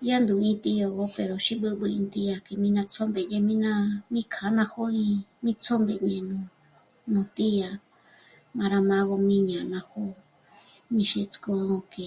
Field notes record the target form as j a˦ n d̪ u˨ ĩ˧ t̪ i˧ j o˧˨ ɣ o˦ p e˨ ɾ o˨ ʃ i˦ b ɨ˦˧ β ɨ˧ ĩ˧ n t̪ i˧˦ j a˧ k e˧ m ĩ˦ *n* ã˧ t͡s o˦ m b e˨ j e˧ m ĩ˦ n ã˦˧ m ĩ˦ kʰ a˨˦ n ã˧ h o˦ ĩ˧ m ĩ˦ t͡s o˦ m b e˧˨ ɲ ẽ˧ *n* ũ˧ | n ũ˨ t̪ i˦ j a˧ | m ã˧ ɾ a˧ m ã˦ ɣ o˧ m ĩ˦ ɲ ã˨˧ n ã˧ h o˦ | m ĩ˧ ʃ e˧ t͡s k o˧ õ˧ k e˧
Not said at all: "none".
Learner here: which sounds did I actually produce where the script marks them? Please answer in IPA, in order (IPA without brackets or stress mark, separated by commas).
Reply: n, n